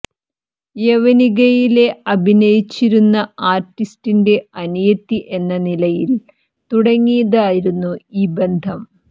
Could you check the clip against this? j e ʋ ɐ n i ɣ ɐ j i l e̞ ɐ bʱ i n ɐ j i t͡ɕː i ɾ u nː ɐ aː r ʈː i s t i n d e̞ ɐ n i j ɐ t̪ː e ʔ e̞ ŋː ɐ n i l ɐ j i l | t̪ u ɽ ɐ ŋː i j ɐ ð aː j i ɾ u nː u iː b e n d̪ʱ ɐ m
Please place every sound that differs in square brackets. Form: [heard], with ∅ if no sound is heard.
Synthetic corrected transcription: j e ʋ ɐ n i ɣ ɐ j i l e̞ ɐ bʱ i n ɐ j i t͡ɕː i ɾ u nː ɐ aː r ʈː i s t i n d e̞ ɐ n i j ɐ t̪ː [i] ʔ e̞ [nː] ɐ n i l ɐ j i l | t̪ u ɽ ɐ ŋː i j ɐ ð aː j i ɾ u nː u iː b e n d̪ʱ ɐ m

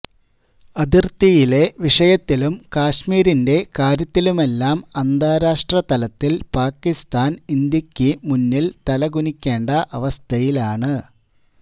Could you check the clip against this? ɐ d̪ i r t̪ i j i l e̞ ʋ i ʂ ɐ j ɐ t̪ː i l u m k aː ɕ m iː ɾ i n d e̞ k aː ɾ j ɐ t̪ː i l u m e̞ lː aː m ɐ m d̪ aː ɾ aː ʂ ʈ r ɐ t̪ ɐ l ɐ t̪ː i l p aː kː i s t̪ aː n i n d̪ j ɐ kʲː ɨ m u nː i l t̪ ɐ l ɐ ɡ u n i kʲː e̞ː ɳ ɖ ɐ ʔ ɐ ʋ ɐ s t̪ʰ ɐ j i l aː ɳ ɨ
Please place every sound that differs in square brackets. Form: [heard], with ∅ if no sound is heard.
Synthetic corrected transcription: ɐ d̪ i r t̪ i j i l e̞ ʋ i ʂ ɐ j ɐ t̪ː i l u m k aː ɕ m iː ɾ i n d e̞ k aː ɾ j ɐ t̪ː i l u m e̞ lː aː m ɐ [n] d̪ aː ɾ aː ʂ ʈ r ɐ t̪ ɐ l ɐ t̪ː i l p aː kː i s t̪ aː n i n d̪ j ɐ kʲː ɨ m u nː i l t̪ ɐ l ɐ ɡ u n i kʲː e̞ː ɳ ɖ ɐ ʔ ɐ ʋ ɐ s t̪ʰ ɐ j i l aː ɳ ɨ

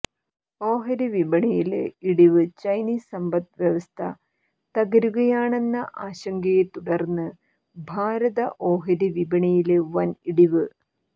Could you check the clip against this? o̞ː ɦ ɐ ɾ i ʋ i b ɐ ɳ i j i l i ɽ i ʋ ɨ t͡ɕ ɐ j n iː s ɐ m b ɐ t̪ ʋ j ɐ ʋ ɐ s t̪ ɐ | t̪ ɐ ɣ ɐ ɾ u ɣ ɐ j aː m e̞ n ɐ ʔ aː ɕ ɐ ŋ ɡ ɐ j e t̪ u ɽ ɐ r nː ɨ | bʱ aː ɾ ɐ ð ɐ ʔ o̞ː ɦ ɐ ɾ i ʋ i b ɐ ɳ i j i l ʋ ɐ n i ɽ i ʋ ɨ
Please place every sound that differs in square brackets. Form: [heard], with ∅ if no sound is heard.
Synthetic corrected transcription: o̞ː ɦ ɐ ɾ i ʋ i b ɐ ɳ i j i l i ɽ i ʋ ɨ t͡ɕ ɐ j n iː s ɐ m b ɐ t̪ ʋ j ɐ ʋ ɐ s [t̪ʰ] ɐ | t̪ ɐ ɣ ɐ ɾ u ɣ ɐ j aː [ɳ] e̞ [nː] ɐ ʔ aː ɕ ɐ ŋ ɡ ɐ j e t̪ u ɽ ɐ r nː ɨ | bʱ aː ɾ ɐ ð ɐ ʔ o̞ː ɦ ɐ ɾ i ʋ i b ɐ ɳ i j i l ʋ ɐ n i ɽ i ʋ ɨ

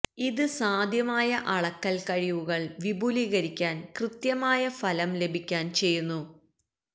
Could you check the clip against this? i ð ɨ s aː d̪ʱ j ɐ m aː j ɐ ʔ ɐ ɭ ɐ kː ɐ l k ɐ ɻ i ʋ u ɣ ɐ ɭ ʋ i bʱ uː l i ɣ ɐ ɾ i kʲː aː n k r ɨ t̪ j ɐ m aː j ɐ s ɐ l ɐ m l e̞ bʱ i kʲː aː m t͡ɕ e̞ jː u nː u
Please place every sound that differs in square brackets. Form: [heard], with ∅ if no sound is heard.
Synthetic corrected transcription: i ð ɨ s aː d̪ʱ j ɐ m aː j ɐ ʔ ɐ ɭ ɐ kː ɐ l k ɐ ɻ i ʋ u ɣ ɐ ɭ ʋ i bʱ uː l i ɣ ɐ ɾ i kʲː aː n k r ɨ t̪ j ɐ m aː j ɐ [f] ɐ l ɐ m l e̞ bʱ i kʲː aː [n] t͡ɕ e̞ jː u nː u

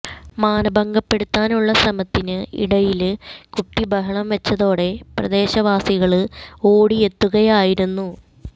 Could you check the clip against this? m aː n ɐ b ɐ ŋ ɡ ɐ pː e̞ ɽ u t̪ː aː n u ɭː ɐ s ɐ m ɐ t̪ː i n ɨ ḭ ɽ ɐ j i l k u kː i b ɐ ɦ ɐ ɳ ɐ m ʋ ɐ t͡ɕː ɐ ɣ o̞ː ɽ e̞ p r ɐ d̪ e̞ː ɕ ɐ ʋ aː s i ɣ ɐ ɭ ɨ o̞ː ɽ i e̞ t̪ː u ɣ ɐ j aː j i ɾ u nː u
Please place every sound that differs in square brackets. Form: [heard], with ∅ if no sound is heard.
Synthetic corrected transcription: m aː n ɐ b ɐ ŋ ɡ ɐ pː e̞ ɽ u t̪ː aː n u ɭː ɐ s ɐ m ɐ t̪ː i n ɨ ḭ ɽ ɐ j i l k u [ʈː] i b ɐ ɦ ɐ ɳ ɐ m ʋ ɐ t͡ɕː ɐ [ð] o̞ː ɽ e̞ p r ɐ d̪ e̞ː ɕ ɐ ʋ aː s i ɣ ɐ ɭ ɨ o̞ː ɽ i e̞ t̪ː u ɣ ɐ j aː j i ɾ u nː u

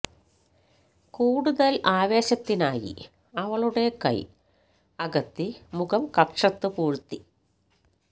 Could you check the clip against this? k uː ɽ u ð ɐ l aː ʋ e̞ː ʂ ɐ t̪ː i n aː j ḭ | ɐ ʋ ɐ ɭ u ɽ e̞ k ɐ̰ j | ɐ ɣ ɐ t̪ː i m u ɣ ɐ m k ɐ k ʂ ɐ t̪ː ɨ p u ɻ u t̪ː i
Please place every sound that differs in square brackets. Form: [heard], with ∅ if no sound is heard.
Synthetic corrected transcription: k uː ɽ u ð ɐ l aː ʋ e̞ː [ɕ] ɐ t̪ː i n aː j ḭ | ɐ ʋ ɐ ɭ u ɽ e̞ k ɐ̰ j | ɐ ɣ ɐ t̪ː i m u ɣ ɐ m k ɐ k ʂ ɐ t̪ː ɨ p [uː] ɻ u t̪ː i

